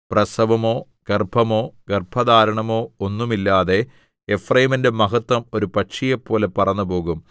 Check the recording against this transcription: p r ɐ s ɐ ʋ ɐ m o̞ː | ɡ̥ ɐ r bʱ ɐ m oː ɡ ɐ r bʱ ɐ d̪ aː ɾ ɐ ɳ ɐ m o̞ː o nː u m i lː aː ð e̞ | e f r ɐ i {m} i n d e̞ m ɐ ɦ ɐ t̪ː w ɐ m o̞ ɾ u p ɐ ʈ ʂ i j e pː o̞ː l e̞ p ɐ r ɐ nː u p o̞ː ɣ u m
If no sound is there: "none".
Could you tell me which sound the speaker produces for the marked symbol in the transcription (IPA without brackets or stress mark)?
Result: m